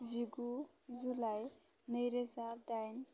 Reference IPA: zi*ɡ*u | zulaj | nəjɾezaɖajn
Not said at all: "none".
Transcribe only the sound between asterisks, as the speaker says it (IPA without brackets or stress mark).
ɡ